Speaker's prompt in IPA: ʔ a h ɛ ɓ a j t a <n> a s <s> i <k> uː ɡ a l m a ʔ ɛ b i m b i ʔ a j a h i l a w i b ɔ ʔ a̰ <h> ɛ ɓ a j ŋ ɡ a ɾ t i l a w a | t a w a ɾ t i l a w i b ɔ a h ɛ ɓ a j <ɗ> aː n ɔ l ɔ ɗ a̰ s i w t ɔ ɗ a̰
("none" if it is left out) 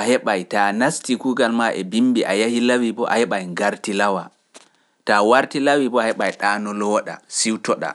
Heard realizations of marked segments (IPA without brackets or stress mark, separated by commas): n, t, k, h, ɗ